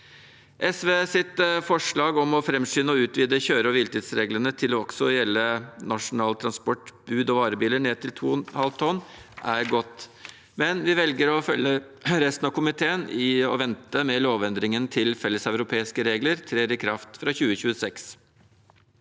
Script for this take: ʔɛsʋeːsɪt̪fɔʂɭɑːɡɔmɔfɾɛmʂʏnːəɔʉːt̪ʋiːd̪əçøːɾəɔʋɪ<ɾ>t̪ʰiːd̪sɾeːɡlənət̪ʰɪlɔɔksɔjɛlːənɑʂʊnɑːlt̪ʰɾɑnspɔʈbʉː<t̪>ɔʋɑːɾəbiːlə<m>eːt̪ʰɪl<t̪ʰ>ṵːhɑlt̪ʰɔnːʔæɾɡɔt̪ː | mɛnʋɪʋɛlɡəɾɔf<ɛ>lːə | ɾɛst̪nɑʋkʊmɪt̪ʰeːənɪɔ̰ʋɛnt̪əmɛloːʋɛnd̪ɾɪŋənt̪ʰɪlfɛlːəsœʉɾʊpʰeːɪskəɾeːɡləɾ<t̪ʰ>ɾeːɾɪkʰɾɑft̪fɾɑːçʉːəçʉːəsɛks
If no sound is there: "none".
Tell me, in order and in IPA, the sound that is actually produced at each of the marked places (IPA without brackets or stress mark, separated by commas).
l, d̪, ɳ, t̪ʰ, œ, t̪ʰ